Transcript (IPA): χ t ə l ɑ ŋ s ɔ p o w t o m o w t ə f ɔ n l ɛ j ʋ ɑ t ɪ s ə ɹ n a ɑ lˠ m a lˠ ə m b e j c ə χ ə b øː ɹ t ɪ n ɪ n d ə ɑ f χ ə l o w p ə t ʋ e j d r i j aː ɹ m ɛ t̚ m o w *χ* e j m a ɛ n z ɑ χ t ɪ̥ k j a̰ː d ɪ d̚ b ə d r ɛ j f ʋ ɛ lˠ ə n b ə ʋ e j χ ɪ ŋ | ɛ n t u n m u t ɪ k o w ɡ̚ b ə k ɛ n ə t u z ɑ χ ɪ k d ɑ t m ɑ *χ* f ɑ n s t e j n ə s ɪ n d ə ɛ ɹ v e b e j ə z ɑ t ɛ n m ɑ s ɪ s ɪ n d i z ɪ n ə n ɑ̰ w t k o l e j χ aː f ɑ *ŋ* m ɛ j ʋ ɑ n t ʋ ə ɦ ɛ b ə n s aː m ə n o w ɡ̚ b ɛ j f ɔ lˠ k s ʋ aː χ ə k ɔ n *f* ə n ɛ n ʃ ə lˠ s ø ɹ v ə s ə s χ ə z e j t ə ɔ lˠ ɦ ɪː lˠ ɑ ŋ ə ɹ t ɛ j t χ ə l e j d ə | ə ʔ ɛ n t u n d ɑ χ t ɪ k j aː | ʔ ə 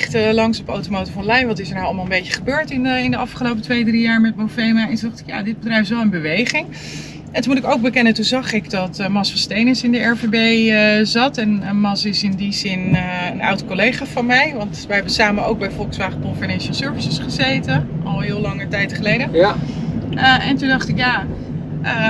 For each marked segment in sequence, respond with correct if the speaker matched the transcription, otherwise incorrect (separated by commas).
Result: incorrect, incorrect, incorrect, correct